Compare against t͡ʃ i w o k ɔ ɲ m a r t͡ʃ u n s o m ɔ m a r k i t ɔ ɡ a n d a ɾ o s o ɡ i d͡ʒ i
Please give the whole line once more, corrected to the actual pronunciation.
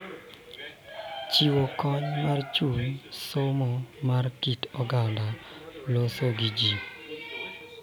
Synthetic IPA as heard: t͡ʃ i w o k ɔ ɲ m a r t͡ʃ u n s o m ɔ m a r k i t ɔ ɡ a n d a l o s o ɡ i d͡ʒ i